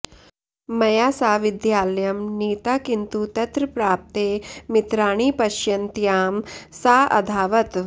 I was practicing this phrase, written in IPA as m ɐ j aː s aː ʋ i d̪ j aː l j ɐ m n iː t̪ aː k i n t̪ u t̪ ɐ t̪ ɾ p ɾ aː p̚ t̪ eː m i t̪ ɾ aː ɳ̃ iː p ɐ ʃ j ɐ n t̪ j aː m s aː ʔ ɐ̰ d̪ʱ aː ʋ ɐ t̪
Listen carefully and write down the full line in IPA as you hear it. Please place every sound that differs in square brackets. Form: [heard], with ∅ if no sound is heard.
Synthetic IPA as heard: m ɐ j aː s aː ʋ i d̪ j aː l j ɐ m n iː t̪ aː k i n t̪ u t̪ ɐ t̪ ɾ p ɾ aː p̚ t̪ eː m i t̪ ɾ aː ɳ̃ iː p ɐ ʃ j ɐ n t̪ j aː m s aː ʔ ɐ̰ d̪ʱ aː ʋ ɐ t̪